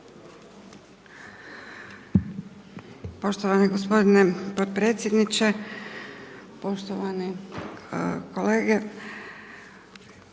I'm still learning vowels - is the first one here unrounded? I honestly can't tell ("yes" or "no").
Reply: no